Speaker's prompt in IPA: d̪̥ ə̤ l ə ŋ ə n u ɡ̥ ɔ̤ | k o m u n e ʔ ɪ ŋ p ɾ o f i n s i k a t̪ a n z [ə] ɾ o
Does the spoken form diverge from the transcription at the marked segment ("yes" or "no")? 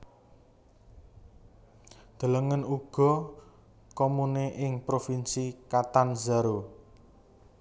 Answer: yes